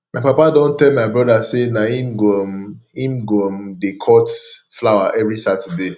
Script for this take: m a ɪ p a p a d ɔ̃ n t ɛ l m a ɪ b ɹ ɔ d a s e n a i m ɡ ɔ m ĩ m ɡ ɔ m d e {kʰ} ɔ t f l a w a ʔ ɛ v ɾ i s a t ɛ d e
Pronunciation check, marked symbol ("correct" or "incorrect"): correct